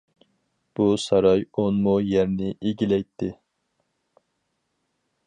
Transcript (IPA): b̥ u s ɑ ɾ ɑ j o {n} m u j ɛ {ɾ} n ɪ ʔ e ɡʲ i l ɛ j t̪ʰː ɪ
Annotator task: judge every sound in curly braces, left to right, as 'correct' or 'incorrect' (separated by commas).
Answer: correct, correct